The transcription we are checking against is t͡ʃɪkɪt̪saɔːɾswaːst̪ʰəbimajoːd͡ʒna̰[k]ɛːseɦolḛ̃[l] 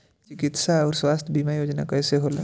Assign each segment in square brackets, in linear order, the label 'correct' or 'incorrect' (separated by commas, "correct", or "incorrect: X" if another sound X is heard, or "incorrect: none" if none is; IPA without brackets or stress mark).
correct, incorrect: none